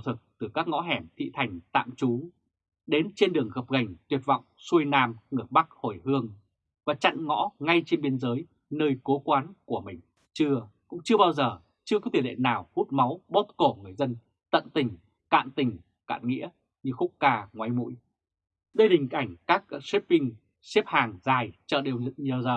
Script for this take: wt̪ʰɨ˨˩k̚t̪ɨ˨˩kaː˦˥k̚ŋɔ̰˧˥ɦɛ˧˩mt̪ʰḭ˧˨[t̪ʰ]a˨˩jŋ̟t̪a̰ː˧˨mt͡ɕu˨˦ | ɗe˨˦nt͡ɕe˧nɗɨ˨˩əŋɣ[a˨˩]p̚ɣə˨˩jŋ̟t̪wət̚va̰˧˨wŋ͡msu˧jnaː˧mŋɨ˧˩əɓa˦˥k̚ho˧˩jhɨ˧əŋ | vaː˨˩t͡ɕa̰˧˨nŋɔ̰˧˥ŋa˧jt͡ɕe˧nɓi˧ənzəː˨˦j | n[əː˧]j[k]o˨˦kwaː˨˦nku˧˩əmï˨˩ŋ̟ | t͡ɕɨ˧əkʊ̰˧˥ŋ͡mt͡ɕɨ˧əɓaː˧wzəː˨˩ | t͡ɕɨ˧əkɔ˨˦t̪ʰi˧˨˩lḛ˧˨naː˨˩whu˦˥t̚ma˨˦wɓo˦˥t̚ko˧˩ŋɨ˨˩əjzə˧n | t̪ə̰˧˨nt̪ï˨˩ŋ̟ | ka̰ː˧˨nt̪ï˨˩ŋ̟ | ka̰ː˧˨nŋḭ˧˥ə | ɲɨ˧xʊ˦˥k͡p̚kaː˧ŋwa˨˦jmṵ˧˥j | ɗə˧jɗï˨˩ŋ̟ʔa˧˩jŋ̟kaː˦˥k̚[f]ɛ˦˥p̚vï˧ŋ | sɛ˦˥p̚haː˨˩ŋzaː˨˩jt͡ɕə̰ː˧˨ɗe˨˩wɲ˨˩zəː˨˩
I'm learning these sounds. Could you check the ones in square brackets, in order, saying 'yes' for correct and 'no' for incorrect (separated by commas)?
yes, no, yes, yes, no